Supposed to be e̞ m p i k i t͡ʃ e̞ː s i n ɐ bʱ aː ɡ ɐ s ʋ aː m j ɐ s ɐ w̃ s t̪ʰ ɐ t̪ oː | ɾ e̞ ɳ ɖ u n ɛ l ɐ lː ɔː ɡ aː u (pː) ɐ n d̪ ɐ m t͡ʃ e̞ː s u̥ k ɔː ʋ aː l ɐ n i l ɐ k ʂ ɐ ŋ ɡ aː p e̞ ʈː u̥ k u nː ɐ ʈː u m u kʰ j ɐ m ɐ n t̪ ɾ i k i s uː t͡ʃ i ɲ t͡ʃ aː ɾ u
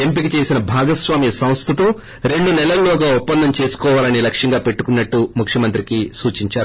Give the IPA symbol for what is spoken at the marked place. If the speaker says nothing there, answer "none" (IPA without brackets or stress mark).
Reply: pː